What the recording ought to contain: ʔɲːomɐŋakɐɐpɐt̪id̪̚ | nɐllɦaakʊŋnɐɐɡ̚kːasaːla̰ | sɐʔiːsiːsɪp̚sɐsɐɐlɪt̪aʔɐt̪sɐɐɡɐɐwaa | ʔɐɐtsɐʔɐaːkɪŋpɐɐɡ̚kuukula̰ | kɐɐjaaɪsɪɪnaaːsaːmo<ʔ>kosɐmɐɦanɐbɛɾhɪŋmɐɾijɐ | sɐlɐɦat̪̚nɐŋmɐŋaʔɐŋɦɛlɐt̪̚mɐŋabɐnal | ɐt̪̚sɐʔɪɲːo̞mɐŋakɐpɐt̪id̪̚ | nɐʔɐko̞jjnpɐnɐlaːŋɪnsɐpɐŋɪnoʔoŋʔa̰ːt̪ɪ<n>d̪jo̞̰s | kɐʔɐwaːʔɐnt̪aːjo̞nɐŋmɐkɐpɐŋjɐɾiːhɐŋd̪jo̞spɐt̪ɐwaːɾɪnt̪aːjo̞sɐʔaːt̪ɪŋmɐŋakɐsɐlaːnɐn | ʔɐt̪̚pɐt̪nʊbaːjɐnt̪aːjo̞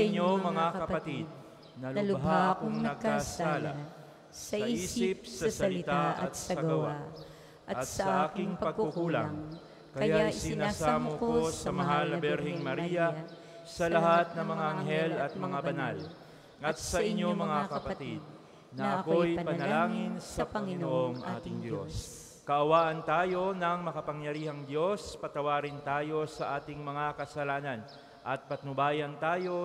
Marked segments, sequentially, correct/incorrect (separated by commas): incorrect, incorrect